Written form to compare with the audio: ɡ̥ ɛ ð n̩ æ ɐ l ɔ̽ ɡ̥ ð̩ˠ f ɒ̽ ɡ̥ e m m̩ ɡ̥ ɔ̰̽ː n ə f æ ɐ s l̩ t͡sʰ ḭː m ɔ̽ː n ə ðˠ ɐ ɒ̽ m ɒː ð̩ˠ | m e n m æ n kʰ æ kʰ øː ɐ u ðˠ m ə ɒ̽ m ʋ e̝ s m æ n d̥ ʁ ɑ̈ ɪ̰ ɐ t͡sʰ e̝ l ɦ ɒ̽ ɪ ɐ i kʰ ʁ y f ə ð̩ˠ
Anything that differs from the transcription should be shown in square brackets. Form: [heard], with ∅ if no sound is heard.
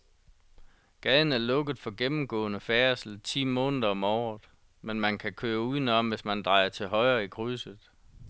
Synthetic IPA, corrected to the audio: ɡ̥ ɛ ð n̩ æ ɐ l ɔ̽ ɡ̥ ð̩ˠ f ɒ̽ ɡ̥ e m m̩ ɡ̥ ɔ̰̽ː n ə f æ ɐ s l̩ t͡sʰ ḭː m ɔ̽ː n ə ðˠ ɐ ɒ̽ m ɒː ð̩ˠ | m e n m æ n kʰ æ kʰ øː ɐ u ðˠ [n] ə ɒ̽ m ʋ e̝ s m æ n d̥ ʁ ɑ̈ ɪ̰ ɐ t͡sʰ e̝ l ɦ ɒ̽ ɪ ɐ i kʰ ʁ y [s] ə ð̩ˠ